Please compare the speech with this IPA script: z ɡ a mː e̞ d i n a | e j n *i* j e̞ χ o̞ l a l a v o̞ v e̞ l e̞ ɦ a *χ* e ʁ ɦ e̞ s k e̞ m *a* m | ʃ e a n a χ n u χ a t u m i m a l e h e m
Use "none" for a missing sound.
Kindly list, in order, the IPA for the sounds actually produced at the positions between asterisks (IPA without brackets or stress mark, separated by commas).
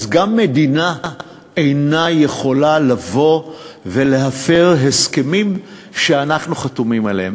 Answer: a, f, i